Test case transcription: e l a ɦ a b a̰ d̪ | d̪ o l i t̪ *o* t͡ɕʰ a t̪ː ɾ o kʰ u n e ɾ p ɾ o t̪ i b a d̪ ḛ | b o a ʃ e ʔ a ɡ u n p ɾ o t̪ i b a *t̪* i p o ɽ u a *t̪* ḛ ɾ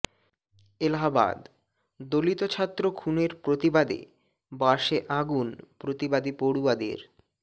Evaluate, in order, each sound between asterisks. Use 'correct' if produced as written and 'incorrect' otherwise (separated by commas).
correct, incorrect, incorrect